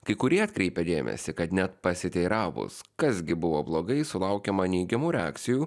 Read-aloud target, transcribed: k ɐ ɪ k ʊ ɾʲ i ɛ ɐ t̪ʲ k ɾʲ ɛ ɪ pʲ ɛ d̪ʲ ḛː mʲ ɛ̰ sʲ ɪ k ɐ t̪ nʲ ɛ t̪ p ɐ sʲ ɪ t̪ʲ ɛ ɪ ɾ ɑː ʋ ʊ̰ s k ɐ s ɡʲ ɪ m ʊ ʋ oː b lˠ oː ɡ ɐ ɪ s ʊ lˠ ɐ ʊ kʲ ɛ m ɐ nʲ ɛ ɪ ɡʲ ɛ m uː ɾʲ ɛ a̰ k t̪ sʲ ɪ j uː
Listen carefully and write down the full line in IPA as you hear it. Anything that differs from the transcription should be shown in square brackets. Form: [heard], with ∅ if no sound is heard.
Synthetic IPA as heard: k ɐ ɪ k ʊ ɾʲ i ɛ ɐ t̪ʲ k ɾʲ ɛ ɪ pʲ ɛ d̪ʲ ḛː mʲ ɛ̰ sʲ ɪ k ɐ t̪ nʲ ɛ t̪ p ɐ sʲ ɪ t̪ʲ ɛ ɪ ɾ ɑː ʋ ʊ̰ s k ɐ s ɡʲ ɪ [b] ʊ ʋ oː b lˠ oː ɡ ɐ ɪ s ʊ lˠ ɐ ʊ kʲ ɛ m ɐ nʲ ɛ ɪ ɡʲ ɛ m uː ɾʲ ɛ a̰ k t̪ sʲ ɪ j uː